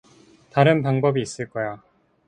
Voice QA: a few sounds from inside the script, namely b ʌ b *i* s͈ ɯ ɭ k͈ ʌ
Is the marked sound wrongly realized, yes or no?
yes